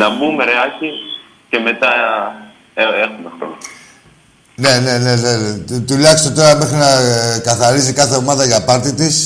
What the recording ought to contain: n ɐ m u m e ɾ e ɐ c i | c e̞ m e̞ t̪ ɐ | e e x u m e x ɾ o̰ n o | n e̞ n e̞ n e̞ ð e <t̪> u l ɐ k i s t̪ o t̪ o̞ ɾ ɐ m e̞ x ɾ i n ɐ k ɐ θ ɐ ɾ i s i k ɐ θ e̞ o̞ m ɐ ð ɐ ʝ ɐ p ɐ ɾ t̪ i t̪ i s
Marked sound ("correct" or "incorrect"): correct